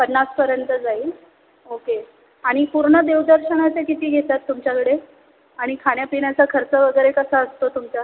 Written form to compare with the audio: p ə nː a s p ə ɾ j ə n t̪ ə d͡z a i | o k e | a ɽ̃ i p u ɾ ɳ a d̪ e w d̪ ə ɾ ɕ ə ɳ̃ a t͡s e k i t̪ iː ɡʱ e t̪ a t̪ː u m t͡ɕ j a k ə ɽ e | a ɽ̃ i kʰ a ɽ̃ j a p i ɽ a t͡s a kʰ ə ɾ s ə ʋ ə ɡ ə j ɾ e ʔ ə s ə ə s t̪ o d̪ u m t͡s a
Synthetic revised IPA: p ə nː a s p ə ɾ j ə n t̪ ə d͡z a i | o k e | a ɽ̃ i p u ɾ ɳ ə d̪ e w d̪ ə ɾ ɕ ə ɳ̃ a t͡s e k i t̪ iː ɡʱ e t̪ a t̪ː u m t͡ɕ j a k ə ɽ e | a ɽ̃ i kʰ a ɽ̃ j a p i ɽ a t͡s a kʰ ə ɾ t͡s ə ʋ ə ɡ ə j ɾ e k ə s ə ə s t̪ o t̪ u m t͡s a